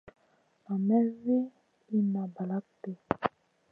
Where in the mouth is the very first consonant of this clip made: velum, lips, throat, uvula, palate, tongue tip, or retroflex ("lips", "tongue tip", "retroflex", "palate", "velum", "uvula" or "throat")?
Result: lips